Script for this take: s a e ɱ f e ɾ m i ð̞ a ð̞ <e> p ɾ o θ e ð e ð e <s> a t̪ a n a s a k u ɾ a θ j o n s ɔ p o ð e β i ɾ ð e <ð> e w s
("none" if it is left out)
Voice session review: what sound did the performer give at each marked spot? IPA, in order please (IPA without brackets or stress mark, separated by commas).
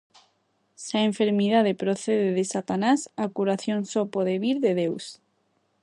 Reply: e, s, ð